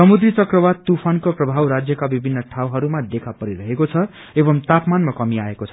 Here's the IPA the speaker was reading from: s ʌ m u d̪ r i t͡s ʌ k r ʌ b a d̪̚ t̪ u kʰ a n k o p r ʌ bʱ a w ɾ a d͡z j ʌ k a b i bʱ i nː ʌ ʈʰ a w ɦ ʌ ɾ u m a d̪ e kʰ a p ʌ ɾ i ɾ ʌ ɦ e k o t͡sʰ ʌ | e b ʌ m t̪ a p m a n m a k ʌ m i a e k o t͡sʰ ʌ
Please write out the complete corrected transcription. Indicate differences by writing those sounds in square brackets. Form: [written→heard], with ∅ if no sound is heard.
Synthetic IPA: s ʌ m u d̪ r i t͡s ʌ k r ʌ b a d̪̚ t̪ u [kʰ→pʰ] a n k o p r ʌ bʱ a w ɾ a d͡z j ʌ k a b i bʱ i nː ʌ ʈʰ a w ɦ ʌ ɾ u m a d̪ e kʰ a p ʌ ɾ i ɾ ʌ ɦ e k o t͡sʰ ʌ | e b ʌ m t̪ a p m a n m a k ʌ m i a e k o t͡sʰ ʌ